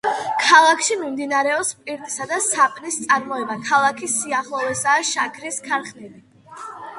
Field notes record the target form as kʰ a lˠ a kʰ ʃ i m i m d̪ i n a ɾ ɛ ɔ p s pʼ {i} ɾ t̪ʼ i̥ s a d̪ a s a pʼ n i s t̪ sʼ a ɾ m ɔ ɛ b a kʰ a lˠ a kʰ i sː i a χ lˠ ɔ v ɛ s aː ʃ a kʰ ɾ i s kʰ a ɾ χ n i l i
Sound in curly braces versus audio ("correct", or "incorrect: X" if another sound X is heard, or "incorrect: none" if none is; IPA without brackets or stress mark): correct